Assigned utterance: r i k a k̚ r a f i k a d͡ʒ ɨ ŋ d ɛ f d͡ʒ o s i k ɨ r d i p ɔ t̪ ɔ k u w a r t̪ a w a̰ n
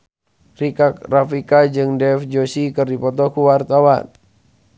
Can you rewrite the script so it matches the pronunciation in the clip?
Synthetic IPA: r i k a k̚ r a f i k a d͡ʒ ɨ ŋ d ɛ f d͡ʒ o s i k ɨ r d i p ɔ t̪ ɔ k u w a r t̪ a w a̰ n